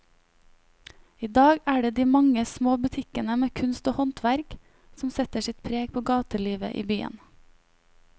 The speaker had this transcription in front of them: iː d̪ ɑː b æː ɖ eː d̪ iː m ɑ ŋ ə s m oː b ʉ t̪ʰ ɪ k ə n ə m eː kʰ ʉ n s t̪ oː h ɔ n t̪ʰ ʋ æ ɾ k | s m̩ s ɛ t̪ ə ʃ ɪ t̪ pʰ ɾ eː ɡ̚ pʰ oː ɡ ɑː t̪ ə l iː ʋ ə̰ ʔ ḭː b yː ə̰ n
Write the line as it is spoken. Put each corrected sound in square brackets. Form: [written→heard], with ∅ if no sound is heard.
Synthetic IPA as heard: iː d̪ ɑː [b→ɡ] æː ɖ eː d̪ iː m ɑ ŋ ə s m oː b ʉ t̪ʰ ɪ k ə n ə m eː kʰ ʉ n s t̪ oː h ɔ n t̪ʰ ʋ æ ɾ k | s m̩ s ɛ t̪ ə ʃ ɪ t̪ pʰ ɾ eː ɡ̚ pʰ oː ɡ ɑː t̪ ə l iː ʋ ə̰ ʔ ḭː b yː ə̰ n